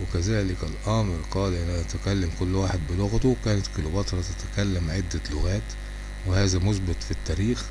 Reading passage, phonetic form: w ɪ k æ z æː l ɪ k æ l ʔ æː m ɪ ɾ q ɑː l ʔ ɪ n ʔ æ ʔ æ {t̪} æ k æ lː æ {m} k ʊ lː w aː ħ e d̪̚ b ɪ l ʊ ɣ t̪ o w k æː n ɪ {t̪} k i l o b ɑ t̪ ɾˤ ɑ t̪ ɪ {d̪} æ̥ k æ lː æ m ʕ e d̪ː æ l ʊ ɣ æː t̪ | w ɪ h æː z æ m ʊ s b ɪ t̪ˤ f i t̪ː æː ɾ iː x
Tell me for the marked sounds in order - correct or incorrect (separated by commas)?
correct, correct, correct, incorrect